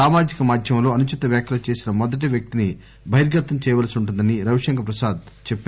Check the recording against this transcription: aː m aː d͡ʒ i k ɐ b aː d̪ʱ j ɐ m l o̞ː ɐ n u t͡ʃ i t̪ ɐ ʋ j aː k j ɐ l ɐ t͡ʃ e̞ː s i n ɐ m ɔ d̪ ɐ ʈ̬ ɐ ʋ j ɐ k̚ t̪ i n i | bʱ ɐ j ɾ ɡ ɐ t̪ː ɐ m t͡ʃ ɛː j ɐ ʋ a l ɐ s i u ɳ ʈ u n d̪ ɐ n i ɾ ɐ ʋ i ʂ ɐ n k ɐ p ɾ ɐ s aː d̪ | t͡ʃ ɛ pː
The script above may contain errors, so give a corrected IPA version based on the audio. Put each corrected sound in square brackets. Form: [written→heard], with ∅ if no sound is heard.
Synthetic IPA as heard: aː m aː d͡ʒ i k ɐ [b→m] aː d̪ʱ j ɐ m l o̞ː ɐ n u t͡ʃ i t̪ ɐ ʋ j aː k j ɐ l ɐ t͡ʃ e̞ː s i n ɐ m ɔ d̪ ɐ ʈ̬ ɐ ʋ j ɐ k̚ t̪ i n i | bʱ ɐ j ɾ ɡ ɐ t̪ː ɐ m t͡ʃ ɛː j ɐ ʋ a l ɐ s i u ɳ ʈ u n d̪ ɐ n i ɾ ɐ ʋ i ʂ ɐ [n→ŋ] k ɐ p ɾ ɐ s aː d̪ | t͡ʃ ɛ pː